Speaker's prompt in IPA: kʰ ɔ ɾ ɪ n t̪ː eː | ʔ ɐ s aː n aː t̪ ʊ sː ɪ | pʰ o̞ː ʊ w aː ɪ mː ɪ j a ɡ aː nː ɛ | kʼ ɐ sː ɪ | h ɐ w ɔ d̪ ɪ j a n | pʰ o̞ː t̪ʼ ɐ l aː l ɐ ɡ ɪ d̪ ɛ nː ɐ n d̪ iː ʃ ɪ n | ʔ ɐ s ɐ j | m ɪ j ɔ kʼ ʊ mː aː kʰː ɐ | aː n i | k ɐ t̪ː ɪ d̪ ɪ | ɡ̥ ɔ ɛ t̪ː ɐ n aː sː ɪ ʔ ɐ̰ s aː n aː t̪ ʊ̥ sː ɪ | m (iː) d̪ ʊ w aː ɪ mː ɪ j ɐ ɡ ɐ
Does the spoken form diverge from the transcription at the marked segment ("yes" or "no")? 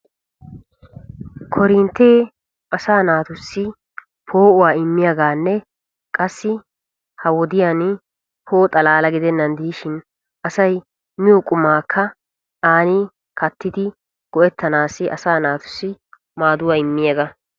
yes